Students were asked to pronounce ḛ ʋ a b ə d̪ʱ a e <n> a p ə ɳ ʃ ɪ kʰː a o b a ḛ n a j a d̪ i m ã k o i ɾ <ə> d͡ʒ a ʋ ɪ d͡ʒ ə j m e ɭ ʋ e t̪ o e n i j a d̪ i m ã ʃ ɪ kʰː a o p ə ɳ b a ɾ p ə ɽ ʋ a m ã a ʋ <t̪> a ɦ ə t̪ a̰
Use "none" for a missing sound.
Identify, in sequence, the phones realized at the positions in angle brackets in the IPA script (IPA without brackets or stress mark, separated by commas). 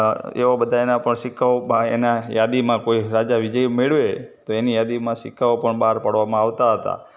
n, a, t̪